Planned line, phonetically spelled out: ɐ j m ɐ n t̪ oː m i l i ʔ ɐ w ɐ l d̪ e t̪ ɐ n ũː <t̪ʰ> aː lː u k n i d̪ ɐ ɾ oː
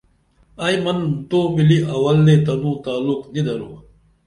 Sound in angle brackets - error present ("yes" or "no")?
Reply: yes